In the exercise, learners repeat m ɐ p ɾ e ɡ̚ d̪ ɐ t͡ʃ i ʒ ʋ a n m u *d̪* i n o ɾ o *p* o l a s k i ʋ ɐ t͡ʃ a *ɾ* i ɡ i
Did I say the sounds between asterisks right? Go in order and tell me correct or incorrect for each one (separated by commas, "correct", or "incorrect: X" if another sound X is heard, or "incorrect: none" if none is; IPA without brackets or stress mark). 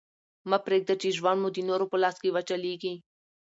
correct, correct, incorrect: l